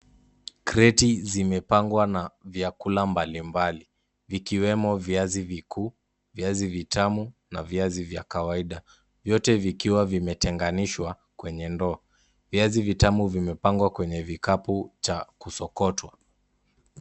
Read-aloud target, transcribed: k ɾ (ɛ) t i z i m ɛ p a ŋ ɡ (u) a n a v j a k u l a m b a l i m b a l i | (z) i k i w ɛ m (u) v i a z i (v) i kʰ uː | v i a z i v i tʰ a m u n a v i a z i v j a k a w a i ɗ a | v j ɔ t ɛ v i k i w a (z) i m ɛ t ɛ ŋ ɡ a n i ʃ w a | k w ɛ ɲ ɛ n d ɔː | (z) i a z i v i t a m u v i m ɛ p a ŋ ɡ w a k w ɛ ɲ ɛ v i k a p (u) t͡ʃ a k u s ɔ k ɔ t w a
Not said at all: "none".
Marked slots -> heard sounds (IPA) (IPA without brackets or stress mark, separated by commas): ɛ, w, v, ɔ, v, v, v, u